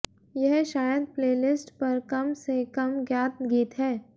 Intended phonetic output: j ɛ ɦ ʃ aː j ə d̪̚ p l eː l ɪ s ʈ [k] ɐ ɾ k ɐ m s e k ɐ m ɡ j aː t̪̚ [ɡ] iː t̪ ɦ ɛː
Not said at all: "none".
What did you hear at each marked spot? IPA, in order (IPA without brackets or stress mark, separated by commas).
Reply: p, ɡ